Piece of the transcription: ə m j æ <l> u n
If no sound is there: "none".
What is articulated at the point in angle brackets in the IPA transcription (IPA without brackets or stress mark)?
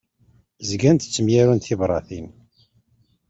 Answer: ɾ